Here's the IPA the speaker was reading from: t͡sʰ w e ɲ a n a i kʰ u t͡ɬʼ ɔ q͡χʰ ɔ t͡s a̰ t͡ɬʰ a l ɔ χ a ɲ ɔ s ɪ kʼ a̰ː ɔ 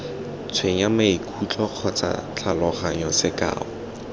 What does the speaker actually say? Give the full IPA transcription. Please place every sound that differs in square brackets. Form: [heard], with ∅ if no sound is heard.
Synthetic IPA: t͡sʰ w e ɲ a [m] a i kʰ u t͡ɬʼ ɔ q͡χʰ ɔ t͡s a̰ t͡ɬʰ a l ɔ χ a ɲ ɔ s ɪ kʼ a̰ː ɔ